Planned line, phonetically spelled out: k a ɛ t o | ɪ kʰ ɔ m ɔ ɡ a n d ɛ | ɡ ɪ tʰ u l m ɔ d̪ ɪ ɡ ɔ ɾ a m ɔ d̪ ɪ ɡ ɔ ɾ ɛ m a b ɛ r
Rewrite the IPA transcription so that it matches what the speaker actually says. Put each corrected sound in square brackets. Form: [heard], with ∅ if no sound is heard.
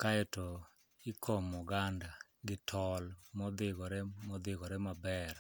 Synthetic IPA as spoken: k a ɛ t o | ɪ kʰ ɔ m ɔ ɡ a n d [a] | ɡ ɪ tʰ [ɔ] l m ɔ d̪ ɪ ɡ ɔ ɾ [ɛ] m ɔ d̪ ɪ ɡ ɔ ɾ ɛ m a b ɛ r

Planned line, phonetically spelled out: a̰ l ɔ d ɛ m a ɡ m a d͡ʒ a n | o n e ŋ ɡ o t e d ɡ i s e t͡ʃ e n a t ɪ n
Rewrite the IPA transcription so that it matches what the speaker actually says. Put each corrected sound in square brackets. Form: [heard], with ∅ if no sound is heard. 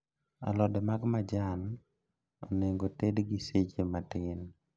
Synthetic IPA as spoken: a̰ l ɔ d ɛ m a ɡ m a d͡ʒ a n | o n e ŋ ɡ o t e d ɡ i s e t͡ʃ e [m] a t ɪ n

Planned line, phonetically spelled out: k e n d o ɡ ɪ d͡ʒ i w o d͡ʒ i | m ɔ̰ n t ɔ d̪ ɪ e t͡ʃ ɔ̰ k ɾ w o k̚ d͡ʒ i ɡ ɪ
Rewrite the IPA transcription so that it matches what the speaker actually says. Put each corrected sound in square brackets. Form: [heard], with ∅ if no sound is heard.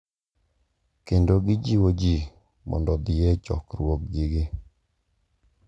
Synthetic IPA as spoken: k e n d o ɡ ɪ d͡ʒ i w o d͡ʒ i | m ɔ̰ n [d] ɔ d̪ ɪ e t͡ʃ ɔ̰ k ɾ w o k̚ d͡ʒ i ɡ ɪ

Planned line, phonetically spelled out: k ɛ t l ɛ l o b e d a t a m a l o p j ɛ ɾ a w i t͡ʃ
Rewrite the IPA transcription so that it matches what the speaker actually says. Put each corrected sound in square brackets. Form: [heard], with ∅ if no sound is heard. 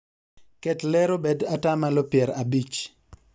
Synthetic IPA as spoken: k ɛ t l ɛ [ɾ] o b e d a t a m a l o p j ɛ ɾ a [b] i t͡ʃ

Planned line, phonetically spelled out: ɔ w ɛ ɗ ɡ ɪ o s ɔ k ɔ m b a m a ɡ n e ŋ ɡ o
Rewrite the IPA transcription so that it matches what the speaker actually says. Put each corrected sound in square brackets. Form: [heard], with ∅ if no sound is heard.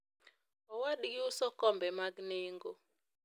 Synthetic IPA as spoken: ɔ w [a] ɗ ɡ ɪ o s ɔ k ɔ m b [ɛ] m a ɡ n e ŋ ɡ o

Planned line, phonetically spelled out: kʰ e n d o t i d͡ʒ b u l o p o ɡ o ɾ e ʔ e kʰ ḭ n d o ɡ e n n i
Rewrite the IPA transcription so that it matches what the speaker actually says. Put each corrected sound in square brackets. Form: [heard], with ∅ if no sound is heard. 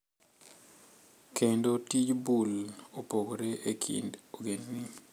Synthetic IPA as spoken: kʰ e n d o t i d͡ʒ b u l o p o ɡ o ɾ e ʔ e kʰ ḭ n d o ɡ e n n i

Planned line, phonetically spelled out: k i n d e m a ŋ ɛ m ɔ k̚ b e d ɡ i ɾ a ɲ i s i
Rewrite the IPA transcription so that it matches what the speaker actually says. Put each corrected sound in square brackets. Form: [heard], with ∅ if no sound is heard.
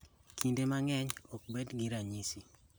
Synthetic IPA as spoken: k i n d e m a ŋ ɛ [ɲ] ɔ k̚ b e d ɡ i ɾ a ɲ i s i

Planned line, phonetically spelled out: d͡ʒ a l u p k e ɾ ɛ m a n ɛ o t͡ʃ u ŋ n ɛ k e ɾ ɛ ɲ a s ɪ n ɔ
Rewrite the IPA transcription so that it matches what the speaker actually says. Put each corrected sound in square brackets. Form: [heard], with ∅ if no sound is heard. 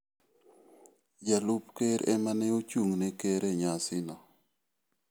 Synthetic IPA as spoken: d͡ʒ a l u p k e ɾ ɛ m a n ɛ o t͡ʃ u ŋ n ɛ k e ɾ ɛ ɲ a s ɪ n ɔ

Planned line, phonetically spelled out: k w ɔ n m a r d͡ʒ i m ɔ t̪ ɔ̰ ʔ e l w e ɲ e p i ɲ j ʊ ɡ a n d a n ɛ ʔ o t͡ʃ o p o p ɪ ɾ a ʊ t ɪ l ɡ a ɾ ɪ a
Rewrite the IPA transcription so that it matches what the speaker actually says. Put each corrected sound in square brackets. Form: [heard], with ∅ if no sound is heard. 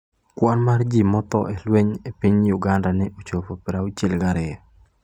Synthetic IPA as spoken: k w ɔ n m a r d͡ʒ i m ɔ t̪ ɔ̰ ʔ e l w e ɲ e p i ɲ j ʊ ɡ a n d a n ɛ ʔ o t͡ʃ o p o p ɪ ɾ a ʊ [t͡ʃ] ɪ l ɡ a ɾ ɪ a

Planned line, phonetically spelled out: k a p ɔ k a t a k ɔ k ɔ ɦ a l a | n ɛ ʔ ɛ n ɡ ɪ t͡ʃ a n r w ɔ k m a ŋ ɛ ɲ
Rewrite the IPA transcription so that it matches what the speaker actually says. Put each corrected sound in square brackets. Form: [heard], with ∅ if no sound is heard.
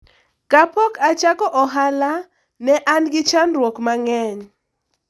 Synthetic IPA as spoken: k a p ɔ k a [t͡ʃ] a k ɔ [ʔ] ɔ ɦ a l a | n ɛ ʔ [a] n ɡ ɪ t͡ʃ a n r w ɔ k m a ŋ ɛ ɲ

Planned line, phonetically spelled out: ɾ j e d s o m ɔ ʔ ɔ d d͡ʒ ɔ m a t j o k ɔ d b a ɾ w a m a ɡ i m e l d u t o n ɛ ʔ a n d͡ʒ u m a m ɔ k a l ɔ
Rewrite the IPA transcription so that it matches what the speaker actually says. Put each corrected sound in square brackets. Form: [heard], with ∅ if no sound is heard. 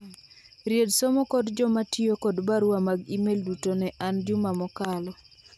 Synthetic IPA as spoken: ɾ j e d s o m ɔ [k] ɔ d d͡ʒ ɔ m a t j o k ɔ d b a ɾ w a m a ɡ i m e l d u t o n ɛ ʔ a n d͡ʒ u m a m ɔ k a l ɔ

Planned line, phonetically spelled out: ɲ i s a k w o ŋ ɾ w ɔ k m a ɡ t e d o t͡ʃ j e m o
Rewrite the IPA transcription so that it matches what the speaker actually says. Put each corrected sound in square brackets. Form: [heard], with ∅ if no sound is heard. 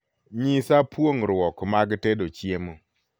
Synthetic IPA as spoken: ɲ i s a [p] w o ŋ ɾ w ɔ k m a ɡ t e d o t͡ʃ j e m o

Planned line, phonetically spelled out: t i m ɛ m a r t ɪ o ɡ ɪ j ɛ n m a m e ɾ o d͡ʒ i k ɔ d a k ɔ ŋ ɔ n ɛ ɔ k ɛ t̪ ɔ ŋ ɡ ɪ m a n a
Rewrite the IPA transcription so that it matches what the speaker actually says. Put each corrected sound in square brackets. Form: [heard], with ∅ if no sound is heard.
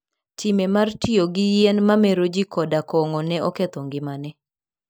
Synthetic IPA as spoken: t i m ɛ m a r t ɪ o ɡ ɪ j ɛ n m a m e ɾ o d͡ʒ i k ɔ d a k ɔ ŋ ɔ n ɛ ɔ k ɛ t̪ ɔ ŋ ɡ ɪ m a n [ɛ]

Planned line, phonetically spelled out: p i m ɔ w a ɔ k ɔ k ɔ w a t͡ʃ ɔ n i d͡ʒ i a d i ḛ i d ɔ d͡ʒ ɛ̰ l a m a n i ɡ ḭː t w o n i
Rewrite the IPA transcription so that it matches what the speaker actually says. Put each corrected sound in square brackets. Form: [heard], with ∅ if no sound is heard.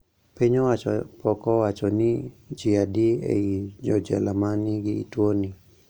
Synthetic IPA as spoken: p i [ɲ] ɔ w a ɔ [p] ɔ k ɔ w a t͡ʃ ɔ n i d͡ʒ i a d i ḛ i [d͡ʒ] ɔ d͡ʒ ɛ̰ l a m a n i ɡ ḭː t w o n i

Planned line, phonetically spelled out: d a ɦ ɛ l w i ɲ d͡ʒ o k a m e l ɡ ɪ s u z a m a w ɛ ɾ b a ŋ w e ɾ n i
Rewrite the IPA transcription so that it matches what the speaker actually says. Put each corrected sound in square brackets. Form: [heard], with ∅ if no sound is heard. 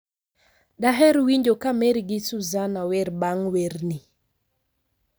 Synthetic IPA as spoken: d a ɦ ɛ [ɾ] w i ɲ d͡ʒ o k a m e [ɾ] ɡ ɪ s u z a [n] a w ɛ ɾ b a ŋ w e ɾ n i

